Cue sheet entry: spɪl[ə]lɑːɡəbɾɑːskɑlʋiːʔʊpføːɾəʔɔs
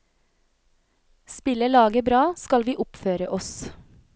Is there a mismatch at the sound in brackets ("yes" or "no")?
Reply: no